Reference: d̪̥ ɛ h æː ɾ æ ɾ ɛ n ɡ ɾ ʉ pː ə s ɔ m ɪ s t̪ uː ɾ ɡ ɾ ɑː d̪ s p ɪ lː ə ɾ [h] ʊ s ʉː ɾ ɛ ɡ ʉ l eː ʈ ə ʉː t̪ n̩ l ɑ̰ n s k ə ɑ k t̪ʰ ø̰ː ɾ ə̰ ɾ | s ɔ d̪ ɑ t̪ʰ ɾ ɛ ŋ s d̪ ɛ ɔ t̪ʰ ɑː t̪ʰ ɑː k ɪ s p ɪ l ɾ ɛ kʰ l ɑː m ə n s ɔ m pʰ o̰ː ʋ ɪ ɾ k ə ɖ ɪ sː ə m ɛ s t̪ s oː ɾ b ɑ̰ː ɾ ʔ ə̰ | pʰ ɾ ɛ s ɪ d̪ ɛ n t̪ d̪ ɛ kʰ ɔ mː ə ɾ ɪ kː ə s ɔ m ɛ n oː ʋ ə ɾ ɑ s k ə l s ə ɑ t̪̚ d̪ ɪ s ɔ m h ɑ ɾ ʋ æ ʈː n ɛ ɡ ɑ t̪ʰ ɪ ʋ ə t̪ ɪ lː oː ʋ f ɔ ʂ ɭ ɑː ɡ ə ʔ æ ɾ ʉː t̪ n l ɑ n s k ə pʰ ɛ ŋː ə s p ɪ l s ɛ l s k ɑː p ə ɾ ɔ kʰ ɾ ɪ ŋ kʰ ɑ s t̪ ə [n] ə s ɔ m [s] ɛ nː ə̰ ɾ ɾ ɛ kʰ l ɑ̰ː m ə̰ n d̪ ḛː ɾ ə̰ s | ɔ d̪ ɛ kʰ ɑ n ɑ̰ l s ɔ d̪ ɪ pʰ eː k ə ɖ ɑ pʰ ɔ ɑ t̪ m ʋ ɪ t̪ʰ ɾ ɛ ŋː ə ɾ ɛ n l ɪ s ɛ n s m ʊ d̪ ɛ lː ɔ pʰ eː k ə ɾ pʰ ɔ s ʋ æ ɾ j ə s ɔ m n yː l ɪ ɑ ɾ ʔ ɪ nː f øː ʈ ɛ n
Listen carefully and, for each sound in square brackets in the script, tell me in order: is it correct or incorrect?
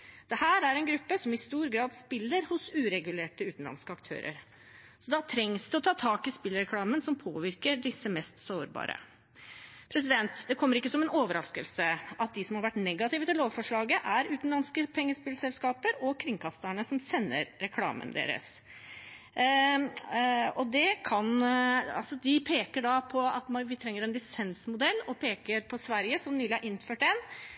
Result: correct, incorrect, correct

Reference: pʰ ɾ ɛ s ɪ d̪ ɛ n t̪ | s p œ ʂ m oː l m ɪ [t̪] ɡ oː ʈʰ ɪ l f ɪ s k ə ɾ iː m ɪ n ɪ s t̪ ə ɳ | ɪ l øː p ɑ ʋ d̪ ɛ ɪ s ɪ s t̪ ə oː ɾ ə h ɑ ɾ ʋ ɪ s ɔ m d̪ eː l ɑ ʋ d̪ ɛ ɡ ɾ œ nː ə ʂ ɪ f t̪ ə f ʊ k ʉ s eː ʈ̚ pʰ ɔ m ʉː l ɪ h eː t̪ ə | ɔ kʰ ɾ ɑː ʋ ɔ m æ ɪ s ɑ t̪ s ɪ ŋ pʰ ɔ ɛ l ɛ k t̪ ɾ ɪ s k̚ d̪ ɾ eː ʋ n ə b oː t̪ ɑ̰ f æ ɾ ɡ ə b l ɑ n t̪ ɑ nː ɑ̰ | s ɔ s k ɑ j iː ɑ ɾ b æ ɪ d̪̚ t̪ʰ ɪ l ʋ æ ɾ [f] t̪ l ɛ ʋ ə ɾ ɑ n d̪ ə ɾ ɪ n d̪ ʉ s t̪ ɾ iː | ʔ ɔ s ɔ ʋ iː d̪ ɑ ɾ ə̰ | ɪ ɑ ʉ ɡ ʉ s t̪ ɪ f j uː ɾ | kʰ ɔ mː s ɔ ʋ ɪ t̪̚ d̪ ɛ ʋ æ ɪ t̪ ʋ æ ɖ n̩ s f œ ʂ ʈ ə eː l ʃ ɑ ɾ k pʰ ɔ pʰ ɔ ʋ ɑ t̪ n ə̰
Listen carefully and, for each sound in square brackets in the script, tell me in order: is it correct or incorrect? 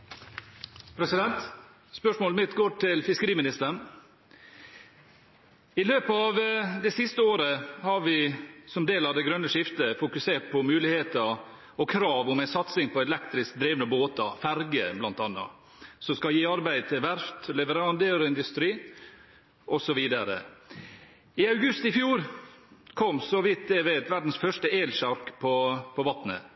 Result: correct, correct

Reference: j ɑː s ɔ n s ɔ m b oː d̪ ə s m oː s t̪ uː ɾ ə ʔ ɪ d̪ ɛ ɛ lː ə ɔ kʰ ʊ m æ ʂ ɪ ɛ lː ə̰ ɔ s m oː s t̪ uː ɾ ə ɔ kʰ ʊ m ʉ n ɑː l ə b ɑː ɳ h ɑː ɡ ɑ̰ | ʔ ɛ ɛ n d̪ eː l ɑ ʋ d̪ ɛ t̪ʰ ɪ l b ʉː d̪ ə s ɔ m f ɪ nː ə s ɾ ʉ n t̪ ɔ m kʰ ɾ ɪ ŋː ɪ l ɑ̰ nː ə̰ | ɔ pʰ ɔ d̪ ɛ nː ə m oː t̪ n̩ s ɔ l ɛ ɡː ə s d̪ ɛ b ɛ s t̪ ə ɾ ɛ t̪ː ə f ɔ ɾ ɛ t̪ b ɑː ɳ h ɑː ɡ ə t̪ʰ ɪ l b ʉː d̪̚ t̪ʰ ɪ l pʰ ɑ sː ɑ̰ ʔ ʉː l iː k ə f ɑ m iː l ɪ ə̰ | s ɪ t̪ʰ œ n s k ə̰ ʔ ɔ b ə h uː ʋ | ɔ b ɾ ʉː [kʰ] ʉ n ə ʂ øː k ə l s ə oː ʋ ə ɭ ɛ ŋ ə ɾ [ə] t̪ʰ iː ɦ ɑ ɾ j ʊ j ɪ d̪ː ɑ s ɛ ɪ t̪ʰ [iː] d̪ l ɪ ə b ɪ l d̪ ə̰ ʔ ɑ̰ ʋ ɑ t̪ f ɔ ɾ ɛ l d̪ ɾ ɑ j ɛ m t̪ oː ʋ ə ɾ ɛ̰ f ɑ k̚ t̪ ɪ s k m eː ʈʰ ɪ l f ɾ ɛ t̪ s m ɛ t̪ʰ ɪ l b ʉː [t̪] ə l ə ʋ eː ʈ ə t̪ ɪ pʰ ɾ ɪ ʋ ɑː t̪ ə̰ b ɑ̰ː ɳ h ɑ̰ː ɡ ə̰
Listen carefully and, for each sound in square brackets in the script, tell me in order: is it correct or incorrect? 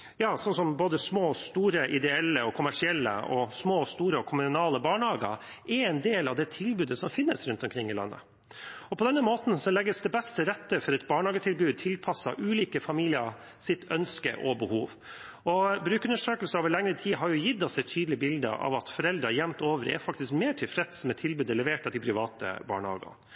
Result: incorrect, correct, incorrect, incorrect

